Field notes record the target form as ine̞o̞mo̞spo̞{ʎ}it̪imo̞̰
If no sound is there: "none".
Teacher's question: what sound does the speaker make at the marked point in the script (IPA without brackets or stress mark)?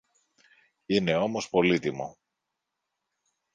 l